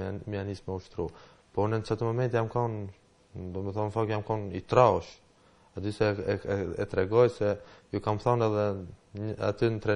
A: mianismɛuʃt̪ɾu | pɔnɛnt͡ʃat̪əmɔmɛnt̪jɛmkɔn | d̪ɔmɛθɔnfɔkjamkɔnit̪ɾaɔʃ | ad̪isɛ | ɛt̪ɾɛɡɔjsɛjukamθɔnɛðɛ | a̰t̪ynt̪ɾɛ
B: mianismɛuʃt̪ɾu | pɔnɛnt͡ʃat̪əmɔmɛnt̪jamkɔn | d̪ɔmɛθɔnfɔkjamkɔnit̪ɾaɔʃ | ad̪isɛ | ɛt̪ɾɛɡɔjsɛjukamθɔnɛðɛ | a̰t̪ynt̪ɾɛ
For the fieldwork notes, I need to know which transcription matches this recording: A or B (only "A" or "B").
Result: B